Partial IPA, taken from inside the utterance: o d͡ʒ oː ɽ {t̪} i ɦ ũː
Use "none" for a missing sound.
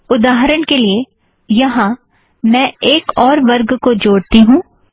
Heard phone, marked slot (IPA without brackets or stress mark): t̪